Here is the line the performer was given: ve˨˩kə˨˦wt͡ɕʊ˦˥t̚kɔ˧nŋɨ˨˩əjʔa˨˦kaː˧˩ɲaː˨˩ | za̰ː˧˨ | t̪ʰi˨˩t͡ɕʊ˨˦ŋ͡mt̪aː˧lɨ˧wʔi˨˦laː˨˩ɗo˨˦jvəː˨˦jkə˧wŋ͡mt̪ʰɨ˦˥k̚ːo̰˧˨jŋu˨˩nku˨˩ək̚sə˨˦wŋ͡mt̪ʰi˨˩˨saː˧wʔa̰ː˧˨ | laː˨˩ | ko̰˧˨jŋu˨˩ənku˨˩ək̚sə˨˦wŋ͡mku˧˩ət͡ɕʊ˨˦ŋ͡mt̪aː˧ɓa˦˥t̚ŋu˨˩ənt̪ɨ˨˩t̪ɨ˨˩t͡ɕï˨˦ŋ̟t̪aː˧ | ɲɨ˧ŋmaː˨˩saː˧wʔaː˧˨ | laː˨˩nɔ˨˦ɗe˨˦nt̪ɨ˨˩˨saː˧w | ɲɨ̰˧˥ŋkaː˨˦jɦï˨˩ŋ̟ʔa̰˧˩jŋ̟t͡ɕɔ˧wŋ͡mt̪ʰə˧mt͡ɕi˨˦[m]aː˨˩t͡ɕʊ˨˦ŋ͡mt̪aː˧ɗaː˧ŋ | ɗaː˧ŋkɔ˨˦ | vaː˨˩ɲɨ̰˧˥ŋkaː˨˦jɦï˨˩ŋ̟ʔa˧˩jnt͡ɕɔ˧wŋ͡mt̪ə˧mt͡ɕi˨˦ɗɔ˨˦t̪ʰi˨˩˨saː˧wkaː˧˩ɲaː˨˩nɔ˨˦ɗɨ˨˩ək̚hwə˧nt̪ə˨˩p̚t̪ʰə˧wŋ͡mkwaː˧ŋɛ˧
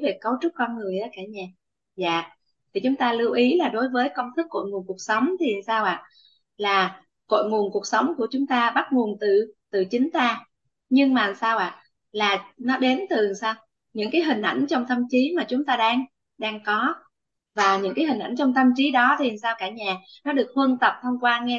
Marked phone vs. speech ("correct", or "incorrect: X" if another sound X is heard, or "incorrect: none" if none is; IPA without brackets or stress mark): correct